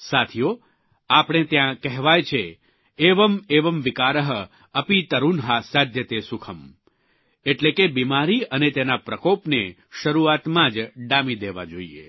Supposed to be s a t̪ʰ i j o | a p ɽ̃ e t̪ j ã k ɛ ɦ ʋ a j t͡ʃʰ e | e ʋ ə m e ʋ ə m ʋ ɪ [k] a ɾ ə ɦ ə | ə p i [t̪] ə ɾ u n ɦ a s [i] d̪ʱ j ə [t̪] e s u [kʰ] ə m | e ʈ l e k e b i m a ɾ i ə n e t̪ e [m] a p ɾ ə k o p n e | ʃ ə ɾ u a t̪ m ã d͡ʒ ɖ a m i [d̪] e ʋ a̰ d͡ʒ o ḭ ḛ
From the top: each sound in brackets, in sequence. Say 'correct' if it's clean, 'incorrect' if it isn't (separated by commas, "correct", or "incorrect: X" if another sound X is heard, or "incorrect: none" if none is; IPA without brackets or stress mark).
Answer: correct, correct, incorrect: a, correct, correct, incorrect: n, correct